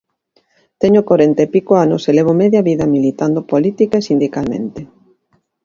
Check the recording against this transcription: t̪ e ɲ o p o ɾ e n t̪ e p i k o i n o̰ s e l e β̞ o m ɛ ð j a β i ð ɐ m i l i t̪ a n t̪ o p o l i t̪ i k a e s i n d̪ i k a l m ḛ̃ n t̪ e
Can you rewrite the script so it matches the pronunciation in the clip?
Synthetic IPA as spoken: t̪ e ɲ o k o ɾ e n t̪ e p i k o a n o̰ s e l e β̞ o m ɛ ð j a β i ð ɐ m i l i t̪ a n d̪ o p o l i t̪ i k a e s i n d̪ i k a l m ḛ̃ n t̪ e